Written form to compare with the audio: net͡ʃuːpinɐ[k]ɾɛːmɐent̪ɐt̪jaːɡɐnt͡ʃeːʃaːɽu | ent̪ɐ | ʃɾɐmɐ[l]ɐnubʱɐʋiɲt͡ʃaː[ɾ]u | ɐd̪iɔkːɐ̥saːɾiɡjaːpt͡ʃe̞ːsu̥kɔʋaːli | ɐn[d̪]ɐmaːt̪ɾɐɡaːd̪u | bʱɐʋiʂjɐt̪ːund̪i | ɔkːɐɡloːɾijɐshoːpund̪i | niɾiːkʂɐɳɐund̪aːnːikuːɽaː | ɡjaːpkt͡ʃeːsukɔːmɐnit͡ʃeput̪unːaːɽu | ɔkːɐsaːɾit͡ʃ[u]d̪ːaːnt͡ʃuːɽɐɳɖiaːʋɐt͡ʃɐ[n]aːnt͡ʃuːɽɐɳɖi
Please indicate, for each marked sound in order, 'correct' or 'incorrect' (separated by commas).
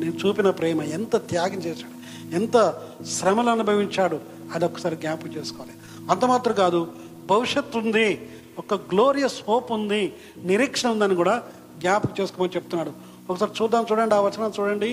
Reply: incorrect, correct, incorrect, incorrect, incorrect, correct